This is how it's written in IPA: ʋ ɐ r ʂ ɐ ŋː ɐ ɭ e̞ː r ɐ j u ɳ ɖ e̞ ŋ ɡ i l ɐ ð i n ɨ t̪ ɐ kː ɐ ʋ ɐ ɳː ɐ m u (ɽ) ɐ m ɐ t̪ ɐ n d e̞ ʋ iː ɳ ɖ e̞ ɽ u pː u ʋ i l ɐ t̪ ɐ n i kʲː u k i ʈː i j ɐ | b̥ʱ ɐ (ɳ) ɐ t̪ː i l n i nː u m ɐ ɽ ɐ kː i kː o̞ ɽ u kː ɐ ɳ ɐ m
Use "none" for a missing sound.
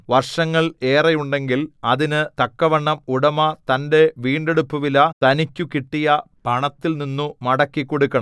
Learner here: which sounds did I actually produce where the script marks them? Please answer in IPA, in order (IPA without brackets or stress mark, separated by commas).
ɽ, ɳ